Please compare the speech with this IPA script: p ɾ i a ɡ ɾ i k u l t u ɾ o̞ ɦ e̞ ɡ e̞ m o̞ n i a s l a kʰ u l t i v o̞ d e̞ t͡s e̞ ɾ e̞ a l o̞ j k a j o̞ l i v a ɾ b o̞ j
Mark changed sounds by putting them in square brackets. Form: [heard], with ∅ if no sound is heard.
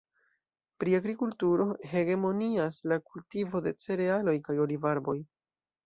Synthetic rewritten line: p ɾ i a ɡ ɾ i k u l t u ɾ o̞ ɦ e̞ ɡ e̞ m o̞ n i a s l a [k] u l t i v o̞ d e̞ t͡s e̞ ɾ e̞ a l o̞ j k a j o̞ l i v a ɾ b o̞ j